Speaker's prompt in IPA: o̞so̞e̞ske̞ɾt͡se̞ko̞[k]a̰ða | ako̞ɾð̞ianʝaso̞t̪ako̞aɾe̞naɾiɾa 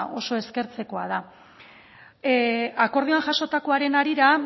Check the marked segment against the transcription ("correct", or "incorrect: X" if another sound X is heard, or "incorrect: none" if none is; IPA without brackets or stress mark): incorrect: none